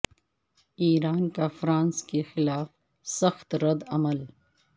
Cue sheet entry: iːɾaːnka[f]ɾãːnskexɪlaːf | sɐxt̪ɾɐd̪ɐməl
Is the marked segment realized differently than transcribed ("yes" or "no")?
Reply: no